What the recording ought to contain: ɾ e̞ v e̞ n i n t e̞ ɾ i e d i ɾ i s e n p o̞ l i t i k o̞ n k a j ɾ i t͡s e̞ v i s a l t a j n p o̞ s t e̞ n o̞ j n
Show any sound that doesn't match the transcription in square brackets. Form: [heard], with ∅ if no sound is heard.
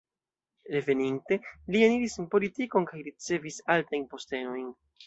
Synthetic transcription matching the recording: ɾ e̞ v e̞ n i n t e̞ [l] i e [n] i ɾ i s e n p o̞ l i t i k o̞ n k a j ɾ i t͡s e̞ v i s a l t a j n p o̞ s t e̞ n o̞ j n